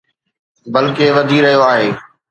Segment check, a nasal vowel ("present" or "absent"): absent